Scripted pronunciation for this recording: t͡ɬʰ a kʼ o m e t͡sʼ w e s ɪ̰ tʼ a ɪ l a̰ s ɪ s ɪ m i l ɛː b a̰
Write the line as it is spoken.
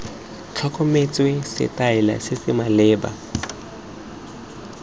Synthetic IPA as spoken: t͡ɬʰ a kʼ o m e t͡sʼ w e s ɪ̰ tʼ a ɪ l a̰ s ɪ s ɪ m a l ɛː b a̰